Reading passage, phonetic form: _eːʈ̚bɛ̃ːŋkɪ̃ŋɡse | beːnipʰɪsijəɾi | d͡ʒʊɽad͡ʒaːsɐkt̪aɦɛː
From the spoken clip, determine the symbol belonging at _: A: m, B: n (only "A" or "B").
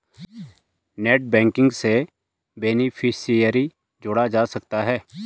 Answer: B